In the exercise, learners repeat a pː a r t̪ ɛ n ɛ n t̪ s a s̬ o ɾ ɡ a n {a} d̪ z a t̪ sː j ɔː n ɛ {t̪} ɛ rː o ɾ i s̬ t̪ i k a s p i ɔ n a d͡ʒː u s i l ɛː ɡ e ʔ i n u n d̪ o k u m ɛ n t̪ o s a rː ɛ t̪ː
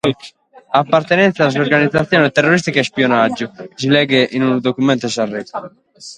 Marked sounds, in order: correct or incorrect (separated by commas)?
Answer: incorrect, correct